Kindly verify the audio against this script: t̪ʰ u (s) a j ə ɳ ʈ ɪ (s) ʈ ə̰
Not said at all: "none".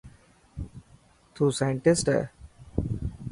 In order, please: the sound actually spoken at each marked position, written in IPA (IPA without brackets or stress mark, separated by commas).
s, s